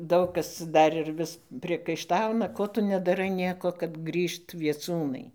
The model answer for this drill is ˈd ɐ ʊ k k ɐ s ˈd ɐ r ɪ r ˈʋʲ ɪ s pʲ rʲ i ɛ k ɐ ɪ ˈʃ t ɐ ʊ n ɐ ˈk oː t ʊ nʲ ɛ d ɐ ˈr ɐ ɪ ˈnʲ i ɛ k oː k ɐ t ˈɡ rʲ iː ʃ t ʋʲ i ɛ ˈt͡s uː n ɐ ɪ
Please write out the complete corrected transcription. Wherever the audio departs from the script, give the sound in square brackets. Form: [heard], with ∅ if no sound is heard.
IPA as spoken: ˈd ɐ ʊ k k ɐ s ˈd ɐ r ɪ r ˈʋʲ ɪ s pʲ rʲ i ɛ k ɐ ɪ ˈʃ t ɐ ʊ n ɐ ˈk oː t ʊ nʲ ɛ d ɐ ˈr ɐ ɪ ˈnʲ i ɛ k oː k ɐ t ˈɡ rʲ iː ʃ t ʋʲ i ɛ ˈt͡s uː n ɐ ɪ